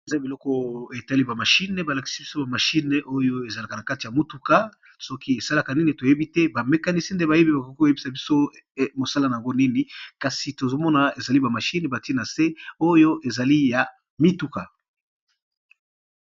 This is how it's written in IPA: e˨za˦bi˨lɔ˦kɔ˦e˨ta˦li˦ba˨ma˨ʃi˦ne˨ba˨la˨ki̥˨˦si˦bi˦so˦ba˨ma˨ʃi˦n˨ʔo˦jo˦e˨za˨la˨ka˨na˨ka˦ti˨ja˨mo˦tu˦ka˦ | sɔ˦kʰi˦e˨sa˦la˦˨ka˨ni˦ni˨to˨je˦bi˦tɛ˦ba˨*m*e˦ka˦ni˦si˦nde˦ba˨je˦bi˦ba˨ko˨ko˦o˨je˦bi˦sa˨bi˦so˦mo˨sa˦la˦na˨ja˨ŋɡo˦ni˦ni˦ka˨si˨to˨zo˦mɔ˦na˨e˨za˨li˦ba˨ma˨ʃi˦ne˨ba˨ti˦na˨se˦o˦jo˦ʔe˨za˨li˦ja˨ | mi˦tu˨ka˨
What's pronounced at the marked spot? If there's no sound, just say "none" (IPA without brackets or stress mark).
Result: m